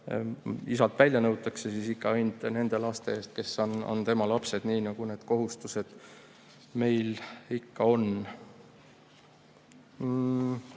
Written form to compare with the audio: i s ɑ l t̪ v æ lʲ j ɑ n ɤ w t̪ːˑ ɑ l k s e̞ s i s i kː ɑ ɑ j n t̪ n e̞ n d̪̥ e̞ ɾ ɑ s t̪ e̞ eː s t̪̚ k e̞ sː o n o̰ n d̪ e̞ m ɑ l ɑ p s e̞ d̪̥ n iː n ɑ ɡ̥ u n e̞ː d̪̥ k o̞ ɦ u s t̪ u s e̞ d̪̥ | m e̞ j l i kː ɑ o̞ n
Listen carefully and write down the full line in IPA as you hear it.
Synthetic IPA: i s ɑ l t̪ v æ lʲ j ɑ n ɤ w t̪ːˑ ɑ k s e̞ s i s i kː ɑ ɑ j n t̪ n e̞ n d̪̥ e̞ l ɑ s t̪ e̞ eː s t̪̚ k e̞ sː o n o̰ n t̪ e̞ m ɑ l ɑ p s e̞ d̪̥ n iː n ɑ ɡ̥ u n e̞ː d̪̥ k o̞ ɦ u s t̪ u s e̞ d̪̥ | m e̞ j l i kː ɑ o̞ n